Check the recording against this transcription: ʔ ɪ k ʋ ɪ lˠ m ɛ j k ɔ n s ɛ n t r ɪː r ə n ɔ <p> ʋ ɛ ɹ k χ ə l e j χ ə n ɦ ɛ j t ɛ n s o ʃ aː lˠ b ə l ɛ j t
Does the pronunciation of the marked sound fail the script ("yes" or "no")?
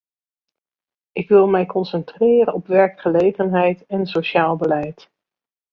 no